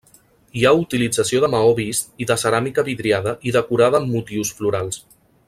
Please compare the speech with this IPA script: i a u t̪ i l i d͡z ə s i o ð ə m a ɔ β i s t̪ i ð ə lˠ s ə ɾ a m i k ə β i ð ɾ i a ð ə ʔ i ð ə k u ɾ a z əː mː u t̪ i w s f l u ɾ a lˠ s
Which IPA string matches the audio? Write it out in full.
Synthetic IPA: i a u t̪ i l i d͡z ə s i o ð ə m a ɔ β i s t̪ i ð ə s ə ɾ a m i k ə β i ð ɾ i a ð ə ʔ i ð ə k u ɾ a ð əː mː u t̪ i w s f l u ɾ a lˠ s